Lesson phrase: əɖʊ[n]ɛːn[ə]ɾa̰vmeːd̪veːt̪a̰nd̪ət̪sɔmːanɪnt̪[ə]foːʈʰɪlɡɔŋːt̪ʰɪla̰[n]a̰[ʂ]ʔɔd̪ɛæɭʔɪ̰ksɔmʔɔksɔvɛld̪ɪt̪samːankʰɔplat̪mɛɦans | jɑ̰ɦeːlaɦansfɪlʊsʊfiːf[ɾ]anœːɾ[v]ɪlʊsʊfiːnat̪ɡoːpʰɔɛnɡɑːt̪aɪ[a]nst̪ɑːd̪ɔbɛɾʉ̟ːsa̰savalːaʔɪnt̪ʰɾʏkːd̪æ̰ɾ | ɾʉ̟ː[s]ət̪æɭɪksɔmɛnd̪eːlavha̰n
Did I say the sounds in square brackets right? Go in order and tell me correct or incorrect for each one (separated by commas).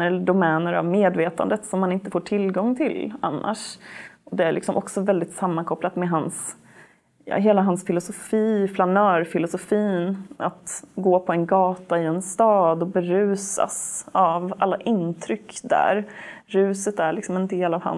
incorrect, correct, correct, incorrect, correct, incorrect, incorrect, incorrect, correct